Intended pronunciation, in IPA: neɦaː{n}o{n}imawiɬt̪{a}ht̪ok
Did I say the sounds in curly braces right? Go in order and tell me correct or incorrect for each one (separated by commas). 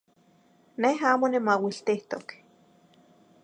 incorrect, correct, incorrect